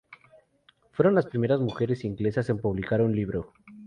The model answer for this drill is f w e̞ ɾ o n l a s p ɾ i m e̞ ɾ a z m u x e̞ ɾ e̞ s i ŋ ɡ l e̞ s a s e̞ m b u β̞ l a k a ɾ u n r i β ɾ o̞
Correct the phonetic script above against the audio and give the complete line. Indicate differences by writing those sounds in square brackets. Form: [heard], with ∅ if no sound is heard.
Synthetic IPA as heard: f w e̞ ɾ o n l a s p ɾ i m e̞ ɾ a z m u x e̞ ɾ e̞ s i ŋ ɡ l e̞ s a s e̞ m [p] u β̞ l [i] k a ɾ u n [l] i β ɾ o̞